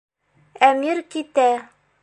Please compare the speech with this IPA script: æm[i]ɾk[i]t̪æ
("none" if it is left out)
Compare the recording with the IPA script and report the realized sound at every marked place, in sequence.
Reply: i, i

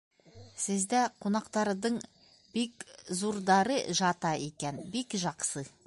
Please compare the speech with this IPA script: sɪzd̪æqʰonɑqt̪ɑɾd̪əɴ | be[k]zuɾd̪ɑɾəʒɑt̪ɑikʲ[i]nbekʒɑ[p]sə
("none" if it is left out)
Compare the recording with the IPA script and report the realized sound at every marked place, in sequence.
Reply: k, e, q

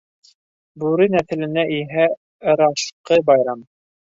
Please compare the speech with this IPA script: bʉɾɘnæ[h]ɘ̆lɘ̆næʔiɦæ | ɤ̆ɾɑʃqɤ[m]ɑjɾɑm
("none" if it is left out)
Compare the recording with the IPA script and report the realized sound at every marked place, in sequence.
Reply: θ, b

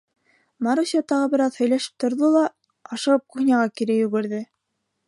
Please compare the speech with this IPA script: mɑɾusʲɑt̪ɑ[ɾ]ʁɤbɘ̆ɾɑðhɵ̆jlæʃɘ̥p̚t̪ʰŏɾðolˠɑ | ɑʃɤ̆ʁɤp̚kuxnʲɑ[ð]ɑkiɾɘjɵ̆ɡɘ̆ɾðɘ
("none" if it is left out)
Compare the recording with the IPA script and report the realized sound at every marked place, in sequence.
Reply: none, ʁ

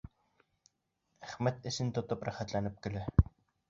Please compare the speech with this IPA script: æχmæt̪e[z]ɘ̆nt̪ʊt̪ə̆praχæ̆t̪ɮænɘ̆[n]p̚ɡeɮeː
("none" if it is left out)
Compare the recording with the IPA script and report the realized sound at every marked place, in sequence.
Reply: s, none

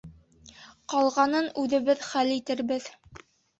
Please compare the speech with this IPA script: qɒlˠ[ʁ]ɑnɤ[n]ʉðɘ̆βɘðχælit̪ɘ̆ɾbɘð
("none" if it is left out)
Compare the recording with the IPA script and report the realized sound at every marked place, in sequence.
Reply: ʁ, n

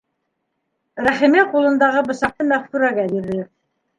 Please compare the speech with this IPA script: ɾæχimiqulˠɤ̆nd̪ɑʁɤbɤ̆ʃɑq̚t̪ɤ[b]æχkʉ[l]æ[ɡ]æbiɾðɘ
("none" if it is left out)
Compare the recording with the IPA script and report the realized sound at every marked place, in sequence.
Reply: m, ɾ, ɡ

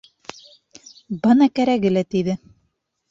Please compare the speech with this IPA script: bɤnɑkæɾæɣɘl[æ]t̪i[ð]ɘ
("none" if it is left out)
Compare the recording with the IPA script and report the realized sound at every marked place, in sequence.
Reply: æ, ð

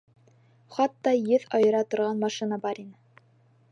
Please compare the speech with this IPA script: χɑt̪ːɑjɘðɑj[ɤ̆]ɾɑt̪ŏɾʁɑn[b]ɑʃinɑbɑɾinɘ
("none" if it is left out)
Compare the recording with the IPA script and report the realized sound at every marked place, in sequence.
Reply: ɤ̆, m

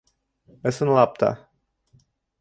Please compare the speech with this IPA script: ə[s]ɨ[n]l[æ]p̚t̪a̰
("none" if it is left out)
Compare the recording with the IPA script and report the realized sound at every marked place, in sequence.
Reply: s, n, a

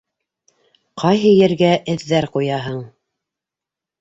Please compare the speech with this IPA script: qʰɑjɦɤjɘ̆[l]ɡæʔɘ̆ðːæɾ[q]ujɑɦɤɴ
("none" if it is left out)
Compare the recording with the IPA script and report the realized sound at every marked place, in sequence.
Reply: ɾ, q

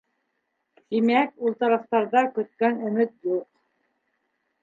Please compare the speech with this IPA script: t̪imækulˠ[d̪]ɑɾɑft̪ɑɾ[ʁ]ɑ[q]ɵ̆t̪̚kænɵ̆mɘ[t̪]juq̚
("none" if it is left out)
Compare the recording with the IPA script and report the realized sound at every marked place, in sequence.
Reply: t̪, ð, k, t̪

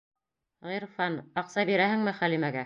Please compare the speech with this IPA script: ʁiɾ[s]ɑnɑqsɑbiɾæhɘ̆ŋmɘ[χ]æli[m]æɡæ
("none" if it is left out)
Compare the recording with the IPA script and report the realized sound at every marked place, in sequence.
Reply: f, χ, m

